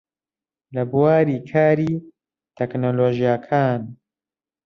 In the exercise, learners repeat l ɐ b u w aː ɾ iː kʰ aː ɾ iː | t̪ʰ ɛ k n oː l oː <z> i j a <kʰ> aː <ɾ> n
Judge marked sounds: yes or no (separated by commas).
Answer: no, yes, no